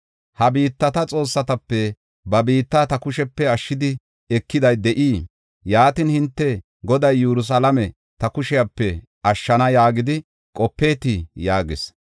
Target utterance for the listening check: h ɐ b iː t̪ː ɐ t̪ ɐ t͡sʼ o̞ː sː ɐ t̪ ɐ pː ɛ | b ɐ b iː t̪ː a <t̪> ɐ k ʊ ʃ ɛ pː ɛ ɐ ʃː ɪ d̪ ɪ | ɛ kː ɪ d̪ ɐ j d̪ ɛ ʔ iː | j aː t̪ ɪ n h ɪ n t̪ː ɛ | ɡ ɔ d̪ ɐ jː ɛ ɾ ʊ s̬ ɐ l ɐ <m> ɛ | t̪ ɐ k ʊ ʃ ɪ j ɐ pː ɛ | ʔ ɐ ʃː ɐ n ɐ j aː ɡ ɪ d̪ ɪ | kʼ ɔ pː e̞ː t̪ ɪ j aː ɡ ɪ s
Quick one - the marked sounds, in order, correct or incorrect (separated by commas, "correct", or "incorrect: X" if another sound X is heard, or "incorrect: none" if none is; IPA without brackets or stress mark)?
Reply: correct, correct